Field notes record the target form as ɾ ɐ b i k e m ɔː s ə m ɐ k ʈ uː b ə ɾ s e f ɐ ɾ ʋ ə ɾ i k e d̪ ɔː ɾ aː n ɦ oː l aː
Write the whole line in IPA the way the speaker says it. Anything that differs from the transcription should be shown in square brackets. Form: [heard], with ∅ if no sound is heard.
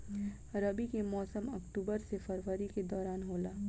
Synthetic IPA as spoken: ɾ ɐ b i k e m ɔː s ə m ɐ k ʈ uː b ə ɾ s e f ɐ ɾ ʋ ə ɾ i k e d̪ ɔː ɾ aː n ɦ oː l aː